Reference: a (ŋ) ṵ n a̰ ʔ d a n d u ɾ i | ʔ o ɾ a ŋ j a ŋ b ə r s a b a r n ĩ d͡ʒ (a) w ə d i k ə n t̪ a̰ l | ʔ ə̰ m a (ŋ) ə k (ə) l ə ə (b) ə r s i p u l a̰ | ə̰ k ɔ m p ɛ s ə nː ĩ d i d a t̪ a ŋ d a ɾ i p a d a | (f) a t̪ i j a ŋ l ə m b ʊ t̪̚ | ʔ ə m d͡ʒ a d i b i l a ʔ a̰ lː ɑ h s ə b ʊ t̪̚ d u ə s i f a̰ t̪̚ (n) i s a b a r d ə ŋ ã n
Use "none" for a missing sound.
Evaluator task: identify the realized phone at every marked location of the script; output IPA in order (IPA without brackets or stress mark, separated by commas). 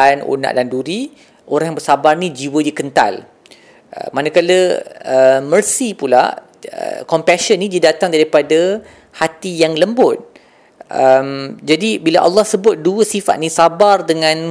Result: n, i, n, a, m, h, n